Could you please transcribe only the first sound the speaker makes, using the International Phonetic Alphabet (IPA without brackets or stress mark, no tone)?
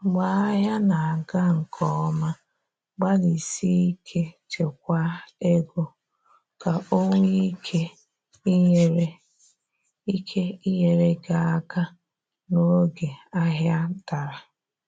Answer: ɡ͡b